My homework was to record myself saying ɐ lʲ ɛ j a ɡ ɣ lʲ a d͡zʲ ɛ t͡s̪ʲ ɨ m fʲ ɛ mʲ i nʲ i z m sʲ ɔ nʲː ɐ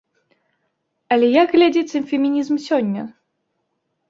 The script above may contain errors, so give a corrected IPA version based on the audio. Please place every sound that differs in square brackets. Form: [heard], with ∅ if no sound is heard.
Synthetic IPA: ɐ lʲ ɛ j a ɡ ɣ lʲ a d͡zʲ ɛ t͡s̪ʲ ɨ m fʲ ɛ mʲ i nʲ i z m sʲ ɔ nʲː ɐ